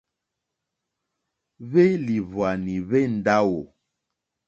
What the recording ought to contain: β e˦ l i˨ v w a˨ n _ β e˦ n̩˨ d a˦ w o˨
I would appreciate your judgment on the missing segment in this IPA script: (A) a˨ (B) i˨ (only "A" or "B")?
B